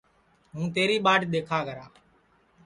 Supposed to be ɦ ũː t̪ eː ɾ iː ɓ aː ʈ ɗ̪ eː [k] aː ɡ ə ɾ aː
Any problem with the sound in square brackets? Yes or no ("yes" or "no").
yes